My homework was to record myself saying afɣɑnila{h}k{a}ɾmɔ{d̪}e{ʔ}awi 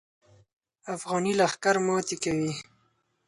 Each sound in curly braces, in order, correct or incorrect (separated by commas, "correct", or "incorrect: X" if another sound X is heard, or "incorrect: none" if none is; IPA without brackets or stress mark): incorrect: x, correct, incorrect: t̪, incorrect: k